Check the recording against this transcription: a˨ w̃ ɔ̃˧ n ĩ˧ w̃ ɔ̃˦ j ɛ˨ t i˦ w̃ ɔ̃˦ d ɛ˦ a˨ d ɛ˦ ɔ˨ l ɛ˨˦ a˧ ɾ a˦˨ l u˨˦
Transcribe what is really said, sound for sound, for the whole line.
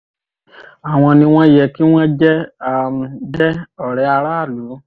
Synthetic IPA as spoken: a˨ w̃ ɔ̃˧ n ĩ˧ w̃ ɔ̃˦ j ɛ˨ k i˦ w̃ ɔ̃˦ d͡ʒ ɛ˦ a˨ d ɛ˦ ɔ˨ ɾ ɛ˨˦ a˧ ɾ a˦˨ l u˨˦